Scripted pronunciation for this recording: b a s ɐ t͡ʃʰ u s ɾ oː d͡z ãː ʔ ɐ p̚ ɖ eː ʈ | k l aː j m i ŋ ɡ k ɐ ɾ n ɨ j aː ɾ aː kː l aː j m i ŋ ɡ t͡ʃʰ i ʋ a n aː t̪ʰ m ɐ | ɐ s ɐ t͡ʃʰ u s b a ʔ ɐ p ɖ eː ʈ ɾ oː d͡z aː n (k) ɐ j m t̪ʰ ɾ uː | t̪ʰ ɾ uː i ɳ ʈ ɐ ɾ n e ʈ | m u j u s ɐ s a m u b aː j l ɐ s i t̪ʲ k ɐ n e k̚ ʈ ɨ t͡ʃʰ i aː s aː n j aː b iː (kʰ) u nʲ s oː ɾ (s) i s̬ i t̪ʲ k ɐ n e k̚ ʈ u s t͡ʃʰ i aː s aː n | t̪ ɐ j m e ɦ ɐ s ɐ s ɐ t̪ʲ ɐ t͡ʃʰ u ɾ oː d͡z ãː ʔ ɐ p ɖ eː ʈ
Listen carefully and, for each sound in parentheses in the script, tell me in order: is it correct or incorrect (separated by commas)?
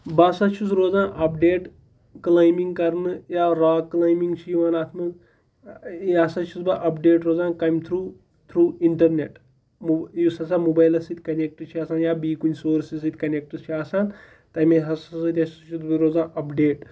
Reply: correct, incorrect, correct